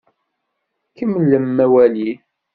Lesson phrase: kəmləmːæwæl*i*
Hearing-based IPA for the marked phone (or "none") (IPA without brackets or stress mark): i